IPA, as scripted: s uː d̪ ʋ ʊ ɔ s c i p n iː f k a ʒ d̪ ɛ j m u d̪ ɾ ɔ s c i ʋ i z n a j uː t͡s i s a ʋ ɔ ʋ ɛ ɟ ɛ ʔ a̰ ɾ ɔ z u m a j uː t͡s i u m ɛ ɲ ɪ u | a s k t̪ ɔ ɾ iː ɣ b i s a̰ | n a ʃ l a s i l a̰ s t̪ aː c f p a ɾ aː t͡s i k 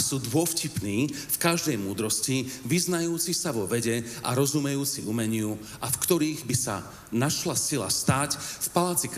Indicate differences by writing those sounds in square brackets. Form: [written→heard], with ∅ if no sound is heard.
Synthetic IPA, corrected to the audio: s uː d̪ ʋ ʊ ɔ [s→f] c i p n iː f k a ʒ d̪ ɛ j m [u→uː] d̪ ɾ ɔ s c i ʋ i z n a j uː t͡s i s a ʋ ɔ ʋ ɛ ɟ ɛ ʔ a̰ ɾ ɔ z u m [a→ɛ] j uː t͡s i u m ɛ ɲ ɪ u | a [s→f] k t̪ ɔ ɾ iː ɣ b i s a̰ | n a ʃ l a s i l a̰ s t̪ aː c f p a [ɾ→l] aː t͡s i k